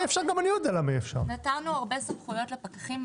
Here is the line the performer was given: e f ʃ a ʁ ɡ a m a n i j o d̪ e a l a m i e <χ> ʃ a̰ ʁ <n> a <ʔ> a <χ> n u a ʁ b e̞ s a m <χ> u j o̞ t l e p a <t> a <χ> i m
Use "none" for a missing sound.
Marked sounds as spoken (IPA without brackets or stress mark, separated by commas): f, n, t, ʁ, χ, k, χ